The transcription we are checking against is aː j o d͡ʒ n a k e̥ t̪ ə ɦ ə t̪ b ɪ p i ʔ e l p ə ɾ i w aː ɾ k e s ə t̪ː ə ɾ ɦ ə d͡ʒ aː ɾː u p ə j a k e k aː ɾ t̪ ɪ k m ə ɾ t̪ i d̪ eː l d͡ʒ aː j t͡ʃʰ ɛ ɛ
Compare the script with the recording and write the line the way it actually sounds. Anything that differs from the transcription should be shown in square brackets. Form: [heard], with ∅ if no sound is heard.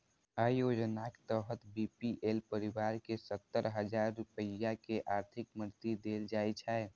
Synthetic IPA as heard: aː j o d͡ʒ n a k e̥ t̪ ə ɦ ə t̪ b [i] p i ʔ e l p ə ɾ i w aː ɾ k e s ə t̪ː ə ɾ ɦ ə d͡ʒ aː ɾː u p ə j a k e [ʔ] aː ɾ [t̪ʰ] ɪ k m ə ɾ t̪ i d̪ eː l d͡ʒ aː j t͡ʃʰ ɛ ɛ